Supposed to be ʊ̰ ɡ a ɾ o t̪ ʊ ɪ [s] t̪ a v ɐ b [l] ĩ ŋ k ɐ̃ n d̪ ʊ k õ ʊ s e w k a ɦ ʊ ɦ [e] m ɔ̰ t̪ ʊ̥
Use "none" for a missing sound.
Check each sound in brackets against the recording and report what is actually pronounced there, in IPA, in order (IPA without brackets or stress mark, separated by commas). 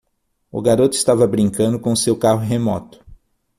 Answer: s, ɾ, e